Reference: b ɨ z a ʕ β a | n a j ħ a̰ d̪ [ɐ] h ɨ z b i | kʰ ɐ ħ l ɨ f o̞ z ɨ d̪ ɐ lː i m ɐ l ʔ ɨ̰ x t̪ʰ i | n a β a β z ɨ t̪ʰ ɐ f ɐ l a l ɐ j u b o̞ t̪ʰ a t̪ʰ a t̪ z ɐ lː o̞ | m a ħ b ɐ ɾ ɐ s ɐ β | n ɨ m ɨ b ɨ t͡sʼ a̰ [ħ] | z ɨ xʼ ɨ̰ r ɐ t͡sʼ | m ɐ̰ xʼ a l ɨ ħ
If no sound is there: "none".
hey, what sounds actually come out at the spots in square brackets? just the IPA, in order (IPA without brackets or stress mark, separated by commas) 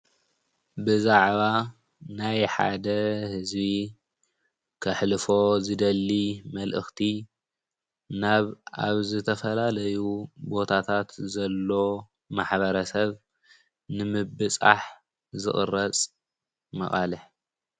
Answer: ɐ, ħ